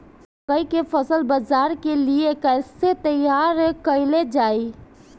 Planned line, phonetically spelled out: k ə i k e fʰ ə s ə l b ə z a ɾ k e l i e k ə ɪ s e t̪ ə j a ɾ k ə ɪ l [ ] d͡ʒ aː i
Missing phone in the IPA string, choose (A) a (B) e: B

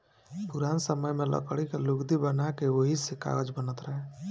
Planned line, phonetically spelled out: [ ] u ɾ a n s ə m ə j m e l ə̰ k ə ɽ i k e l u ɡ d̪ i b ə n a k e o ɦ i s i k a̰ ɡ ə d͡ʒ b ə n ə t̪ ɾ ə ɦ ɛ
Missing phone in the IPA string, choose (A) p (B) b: A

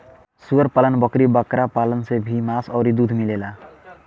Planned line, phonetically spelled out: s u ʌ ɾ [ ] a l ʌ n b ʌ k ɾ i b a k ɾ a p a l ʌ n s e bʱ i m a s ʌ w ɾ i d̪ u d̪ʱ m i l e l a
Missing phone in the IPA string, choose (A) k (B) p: B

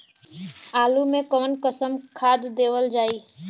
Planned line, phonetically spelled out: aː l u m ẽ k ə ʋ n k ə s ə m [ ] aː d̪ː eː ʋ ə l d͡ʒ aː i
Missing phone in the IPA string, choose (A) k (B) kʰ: B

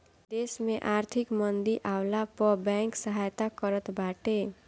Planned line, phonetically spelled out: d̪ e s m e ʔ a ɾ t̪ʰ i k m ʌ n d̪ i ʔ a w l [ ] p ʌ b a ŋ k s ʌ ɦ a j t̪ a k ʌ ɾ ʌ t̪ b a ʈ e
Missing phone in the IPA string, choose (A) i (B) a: B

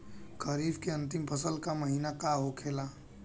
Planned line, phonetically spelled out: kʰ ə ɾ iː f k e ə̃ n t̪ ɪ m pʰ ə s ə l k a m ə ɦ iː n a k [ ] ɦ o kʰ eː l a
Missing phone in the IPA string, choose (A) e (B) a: B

